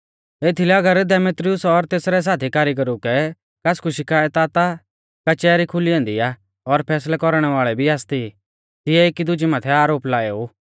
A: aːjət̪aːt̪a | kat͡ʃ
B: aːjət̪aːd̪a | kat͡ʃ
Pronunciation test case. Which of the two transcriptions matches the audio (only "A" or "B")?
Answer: A